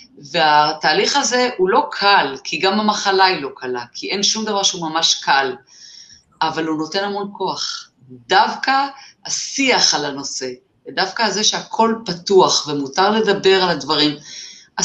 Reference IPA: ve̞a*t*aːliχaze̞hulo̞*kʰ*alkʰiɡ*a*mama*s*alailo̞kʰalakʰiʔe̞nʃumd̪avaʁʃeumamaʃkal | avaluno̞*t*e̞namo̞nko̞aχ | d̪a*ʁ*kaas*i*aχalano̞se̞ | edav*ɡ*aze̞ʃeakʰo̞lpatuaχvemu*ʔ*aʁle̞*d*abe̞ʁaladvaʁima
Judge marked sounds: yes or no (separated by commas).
yes, yes, yes, no, yes, no, yes, no, no, yes